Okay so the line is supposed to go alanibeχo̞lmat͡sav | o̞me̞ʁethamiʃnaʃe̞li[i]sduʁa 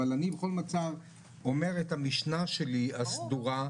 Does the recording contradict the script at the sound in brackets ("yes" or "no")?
yes